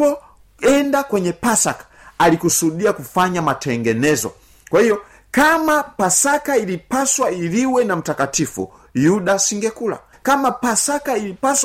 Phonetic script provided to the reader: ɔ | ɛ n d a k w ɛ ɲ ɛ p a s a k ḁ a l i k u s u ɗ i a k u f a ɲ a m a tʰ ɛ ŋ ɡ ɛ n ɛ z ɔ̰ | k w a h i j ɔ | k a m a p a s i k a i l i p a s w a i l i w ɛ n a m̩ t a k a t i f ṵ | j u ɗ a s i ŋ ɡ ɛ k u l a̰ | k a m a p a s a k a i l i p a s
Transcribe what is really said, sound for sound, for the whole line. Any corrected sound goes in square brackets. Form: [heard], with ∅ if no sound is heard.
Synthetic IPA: ɔ | ɛ n d a k w ɛ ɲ ɛ p a s a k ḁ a l i k u s u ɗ i a k u f a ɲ a m a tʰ ɛ ŋ ɡ ɛ n ɛ z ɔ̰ | k w a h i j ɔ | k a m a p a s [a] k a i l i p a s w a i l i w ɛ n a m̩ t a k a t i f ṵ | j u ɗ a s i ŋ ɡ ɛ k u l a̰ | k a m a p a s a k a i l i p a s